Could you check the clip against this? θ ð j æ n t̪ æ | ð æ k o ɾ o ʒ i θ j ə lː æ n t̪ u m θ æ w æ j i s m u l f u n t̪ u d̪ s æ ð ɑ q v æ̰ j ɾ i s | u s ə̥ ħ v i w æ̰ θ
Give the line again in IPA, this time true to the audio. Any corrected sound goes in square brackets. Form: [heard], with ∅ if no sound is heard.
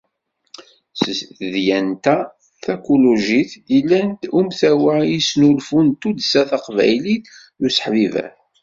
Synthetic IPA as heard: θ ð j æ n t̪ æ | [θ] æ k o [l] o ʒ i θ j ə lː æ n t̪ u m θ æ w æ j i s [n] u l f u n t̪ u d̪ s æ [θ] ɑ q v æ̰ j [l] i [θ] | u s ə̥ ħ v i [v] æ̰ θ